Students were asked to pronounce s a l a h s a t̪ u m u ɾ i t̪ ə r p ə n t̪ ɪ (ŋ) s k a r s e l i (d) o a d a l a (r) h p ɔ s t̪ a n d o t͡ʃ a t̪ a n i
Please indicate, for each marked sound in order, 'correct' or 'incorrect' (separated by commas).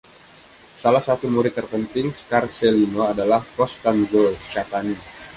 correct, incorrect, incorrect